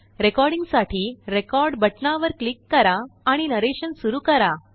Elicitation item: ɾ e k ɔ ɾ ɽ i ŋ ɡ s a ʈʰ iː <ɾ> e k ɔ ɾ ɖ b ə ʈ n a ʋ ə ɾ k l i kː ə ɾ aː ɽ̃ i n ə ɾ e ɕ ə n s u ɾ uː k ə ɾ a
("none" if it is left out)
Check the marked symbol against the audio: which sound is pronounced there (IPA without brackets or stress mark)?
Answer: ɾ